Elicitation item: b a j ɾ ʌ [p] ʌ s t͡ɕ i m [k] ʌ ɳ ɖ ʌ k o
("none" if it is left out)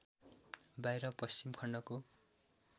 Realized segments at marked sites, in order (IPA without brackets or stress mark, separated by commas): p, kʰ